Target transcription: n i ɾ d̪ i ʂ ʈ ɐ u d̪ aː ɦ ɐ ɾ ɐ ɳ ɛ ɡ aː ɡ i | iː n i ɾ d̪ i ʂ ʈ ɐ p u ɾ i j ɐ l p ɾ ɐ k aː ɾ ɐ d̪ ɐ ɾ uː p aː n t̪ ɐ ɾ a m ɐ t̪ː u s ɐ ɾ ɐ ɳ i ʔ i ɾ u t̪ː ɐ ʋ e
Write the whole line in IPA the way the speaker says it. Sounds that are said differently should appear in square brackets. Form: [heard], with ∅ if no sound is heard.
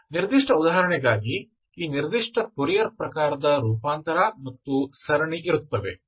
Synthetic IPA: n i ɾ d̪ i ʂ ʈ ɐ u d̪ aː ɦ ɐ ɾ ɐ ɳ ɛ ɡ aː ɡ i | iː n i ɾ d̪ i ʂ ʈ ɐ p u ɾ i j ɐ [ɾ] p ɾ ɐ k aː ɾ ɐ d̪ ɐ ɾ uː p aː n t̪ ɐ ɾ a m ɐ t̪ː u s ɐ ɾ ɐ ɳ i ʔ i ɾ u t̪ː ɐ ʋ e